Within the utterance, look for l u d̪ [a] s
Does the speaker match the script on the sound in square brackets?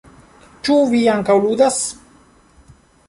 yes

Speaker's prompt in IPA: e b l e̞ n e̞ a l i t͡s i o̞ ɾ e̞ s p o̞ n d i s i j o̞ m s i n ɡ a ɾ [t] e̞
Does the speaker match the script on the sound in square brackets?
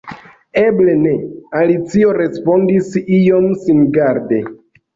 no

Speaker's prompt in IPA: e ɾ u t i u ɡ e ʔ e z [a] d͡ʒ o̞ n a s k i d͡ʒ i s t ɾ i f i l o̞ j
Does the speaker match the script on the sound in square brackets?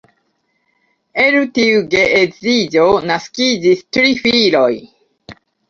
no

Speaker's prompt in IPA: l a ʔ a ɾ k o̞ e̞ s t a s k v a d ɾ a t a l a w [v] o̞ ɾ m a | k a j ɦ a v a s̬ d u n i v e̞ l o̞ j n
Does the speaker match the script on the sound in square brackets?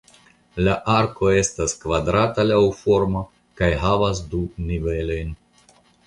no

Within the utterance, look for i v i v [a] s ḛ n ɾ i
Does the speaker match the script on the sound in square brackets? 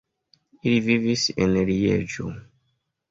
no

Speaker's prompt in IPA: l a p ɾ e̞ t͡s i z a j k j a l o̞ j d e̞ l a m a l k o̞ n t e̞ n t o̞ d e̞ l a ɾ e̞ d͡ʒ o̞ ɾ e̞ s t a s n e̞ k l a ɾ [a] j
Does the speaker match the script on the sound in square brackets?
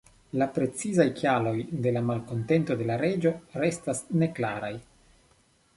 yes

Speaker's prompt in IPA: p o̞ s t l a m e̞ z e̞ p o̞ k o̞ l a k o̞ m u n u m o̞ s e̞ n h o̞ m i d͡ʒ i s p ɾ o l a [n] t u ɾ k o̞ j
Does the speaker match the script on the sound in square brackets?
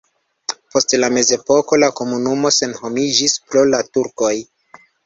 no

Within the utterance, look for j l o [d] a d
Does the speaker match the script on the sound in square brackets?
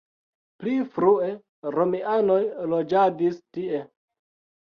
no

